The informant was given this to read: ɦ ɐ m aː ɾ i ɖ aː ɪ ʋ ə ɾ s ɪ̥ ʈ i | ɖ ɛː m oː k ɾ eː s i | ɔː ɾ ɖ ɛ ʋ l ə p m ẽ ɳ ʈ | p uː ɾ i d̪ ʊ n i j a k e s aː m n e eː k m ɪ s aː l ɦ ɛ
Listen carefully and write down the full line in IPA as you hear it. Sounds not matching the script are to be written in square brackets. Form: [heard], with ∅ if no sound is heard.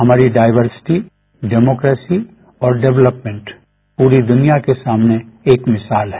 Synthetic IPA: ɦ ɐ m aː ɾ i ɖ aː ɪ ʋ ə ɾ s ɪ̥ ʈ i | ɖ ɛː m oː k ɾ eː s i | ɔː ɾ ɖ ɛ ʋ l ə p m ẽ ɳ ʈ | p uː ɾ i d̪ ʊ n i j a k e s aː m n e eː k m ɪ s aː l ɦ ɛ